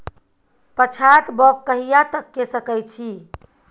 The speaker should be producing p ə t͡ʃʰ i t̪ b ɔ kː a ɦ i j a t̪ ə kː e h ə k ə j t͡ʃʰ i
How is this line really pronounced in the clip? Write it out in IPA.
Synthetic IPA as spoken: p ə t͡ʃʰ a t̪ b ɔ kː ə ɦ i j a t̪ ə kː e s ə k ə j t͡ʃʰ i